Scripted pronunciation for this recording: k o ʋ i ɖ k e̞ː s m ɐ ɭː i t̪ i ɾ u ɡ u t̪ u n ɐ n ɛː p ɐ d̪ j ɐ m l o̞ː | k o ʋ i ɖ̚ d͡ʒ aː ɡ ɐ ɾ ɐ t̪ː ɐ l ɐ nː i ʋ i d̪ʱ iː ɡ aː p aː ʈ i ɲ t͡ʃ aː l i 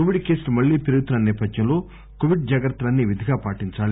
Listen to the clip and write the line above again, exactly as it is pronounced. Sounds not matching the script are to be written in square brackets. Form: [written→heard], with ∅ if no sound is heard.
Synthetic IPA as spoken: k o ʋ i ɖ k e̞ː s m ɐ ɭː [i→iː] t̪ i ɾ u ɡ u t̪ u n ɐ n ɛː p ɐ d̪ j ɐ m l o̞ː | k o ʋ i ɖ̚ d͡ʒ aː ɡ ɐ ɾ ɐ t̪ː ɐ l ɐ nː i ʋ i d̪ʱ [iː→i] ɡ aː p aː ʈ i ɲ t͡ʃ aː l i